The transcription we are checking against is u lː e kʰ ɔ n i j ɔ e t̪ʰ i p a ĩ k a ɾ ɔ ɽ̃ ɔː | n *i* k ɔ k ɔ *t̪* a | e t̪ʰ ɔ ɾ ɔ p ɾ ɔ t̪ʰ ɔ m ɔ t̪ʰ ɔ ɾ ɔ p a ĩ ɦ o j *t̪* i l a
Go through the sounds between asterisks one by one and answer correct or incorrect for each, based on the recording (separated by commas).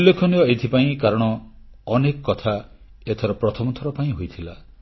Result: incorrect, incorrect, incorrect